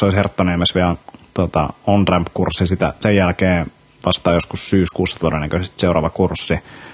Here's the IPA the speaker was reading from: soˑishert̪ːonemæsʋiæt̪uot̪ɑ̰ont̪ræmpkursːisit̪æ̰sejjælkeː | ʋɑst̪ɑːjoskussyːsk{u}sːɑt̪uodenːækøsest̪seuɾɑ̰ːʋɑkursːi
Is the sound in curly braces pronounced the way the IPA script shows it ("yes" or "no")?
no